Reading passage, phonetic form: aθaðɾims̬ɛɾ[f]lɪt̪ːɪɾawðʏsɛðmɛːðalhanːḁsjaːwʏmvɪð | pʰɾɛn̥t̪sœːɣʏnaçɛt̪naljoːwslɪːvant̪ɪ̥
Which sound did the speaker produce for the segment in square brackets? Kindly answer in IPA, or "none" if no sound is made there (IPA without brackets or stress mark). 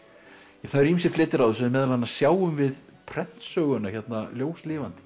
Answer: f